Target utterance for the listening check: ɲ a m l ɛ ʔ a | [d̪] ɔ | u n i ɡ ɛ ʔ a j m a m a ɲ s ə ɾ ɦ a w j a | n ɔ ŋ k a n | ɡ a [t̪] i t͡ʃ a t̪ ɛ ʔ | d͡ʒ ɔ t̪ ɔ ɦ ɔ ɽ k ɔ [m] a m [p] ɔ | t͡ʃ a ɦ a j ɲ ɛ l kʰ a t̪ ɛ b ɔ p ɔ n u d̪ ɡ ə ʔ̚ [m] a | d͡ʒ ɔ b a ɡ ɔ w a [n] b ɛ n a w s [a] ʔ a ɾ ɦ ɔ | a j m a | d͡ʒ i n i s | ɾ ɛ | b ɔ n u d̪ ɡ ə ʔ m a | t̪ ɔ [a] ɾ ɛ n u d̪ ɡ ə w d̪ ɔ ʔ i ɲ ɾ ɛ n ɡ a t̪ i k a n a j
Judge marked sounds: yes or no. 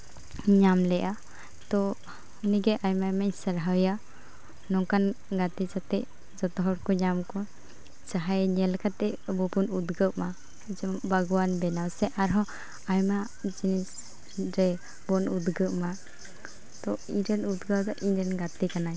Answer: no, yes, no, no, yes, yes, no, no

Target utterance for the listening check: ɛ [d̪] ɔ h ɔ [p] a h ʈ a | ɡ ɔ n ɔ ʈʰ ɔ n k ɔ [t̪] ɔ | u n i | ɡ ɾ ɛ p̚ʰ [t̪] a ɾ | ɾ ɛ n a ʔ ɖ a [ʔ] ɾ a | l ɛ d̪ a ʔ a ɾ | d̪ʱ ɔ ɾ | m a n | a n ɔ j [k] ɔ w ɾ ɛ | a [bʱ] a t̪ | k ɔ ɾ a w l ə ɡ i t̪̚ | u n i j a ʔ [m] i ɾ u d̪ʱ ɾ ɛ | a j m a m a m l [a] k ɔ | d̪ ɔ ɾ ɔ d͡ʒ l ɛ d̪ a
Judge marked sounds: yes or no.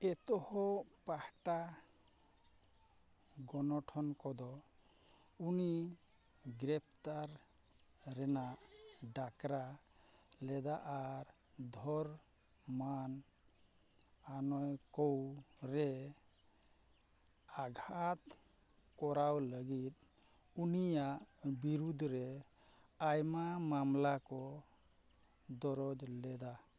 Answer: no, yes, no, yes, no, yes, no, no, yes

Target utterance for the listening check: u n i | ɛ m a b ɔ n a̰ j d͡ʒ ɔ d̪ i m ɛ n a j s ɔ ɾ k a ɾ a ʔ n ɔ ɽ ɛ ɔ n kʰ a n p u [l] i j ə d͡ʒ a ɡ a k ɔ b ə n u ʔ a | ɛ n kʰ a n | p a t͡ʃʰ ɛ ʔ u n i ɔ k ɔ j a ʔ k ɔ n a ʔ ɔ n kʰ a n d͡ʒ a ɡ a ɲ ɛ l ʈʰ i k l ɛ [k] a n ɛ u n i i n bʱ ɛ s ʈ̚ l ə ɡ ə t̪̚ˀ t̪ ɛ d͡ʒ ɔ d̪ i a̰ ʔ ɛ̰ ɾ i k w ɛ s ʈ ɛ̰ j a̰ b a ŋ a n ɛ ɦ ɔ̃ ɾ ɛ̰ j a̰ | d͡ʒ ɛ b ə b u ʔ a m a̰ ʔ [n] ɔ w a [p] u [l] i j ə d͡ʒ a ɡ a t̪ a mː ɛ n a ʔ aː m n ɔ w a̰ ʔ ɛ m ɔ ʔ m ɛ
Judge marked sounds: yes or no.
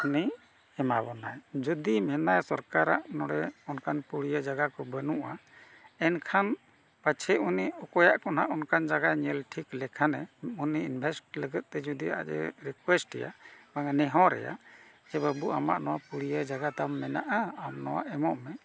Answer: no, no, yes, yes, no

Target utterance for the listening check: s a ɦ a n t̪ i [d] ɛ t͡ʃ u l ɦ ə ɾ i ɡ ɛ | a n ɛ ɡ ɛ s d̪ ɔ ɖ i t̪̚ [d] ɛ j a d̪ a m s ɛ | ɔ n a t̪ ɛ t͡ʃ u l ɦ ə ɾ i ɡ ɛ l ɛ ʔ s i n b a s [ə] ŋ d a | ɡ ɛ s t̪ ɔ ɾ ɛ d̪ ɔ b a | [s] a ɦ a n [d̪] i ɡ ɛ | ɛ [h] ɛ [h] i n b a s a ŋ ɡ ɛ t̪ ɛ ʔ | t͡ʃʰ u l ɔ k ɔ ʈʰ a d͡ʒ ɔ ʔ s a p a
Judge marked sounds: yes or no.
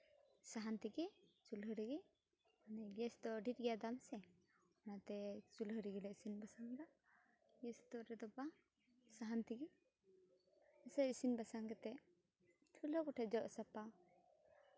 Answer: no, no, no, yes, no, no, no

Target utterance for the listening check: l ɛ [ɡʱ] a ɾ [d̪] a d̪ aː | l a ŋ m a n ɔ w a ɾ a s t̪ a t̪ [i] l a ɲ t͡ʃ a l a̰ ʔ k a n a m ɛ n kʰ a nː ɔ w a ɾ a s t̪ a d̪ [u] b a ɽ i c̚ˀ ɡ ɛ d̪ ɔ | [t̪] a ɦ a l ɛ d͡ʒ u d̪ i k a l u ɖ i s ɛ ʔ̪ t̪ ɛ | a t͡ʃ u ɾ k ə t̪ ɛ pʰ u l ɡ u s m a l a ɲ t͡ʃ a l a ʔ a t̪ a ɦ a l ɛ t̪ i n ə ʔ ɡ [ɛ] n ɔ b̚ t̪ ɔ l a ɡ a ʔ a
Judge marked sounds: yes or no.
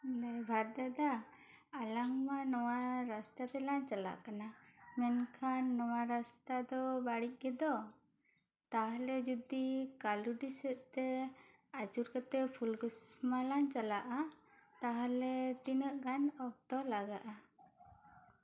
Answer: no, yes, no, no, yes, no

